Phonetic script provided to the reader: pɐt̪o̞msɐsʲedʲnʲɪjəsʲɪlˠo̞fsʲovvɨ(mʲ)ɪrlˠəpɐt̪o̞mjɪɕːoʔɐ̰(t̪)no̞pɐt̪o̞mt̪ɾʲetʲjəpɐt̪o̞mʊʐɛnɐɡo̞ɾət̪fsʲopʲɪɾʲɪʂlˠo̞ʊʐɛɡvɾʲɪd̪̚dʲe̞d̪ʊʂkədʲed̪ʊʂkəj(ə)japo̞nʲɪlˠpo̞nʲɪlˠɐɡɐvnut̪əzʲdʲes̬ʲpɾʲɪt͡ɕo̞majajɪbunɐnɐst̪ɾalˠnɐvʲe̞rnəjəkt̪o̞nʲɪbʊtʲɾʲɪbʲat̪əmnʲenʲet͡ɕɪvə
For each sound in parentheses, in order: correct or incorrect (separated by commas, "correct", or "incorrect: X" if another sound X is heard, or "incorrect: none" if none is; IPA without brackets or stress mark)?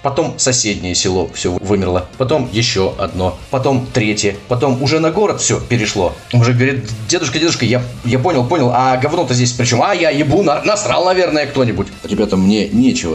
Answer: correct, incorrect: d̪, incorrect: a